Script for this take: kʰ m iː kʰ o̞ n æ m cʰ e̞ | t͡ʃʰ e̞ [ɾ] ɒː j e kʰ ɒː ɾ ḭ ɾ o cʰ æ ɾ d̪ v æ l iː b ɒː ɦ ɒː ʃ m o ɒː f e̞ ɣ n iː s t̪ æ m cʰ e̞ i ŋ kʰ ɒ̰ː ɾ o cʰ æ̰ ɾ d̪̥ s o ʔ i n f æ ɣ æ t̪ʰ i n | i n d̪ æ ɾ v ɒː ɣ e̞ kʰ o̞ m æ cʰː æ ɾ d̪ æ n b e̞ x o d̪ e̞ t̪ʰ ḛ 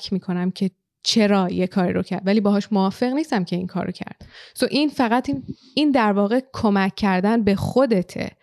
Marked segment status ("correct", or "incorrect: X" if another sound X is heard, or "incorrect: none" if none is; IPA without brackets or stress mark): correct